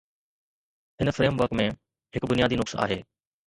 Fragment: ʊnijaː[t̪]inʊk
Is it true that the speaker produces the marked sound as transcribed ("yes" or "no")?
no